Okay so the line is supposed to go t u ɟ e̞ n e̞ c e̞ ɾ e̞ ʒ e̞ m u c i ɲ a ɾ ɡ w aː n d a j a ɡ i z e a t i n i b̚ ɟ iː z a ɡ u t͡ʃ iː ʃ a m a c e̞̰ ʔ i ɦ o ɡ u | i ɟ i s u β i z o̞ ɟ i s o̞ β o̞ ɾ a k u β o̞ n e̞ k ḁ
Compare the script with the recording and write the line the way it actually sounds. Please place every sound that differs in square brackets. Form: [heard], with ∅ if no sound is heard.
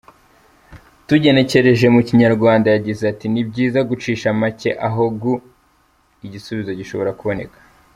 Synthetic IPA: t u ɟ e̞ n e̞ c e̞ ɾ e̞ ʒ e̞ m u c i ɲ a ɾ ɡ w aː n d a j a [ɟ] i z e a t i n i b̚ ɟ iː z a ɡ u t͡ʃ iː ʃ a m a c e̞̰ ʔ [a] ɦ o ɡ u | i ɟ i s u β i z o̞ ɟ i [ʃ] o̞ β o̞ ɾ a k u β o̞ n e̞ k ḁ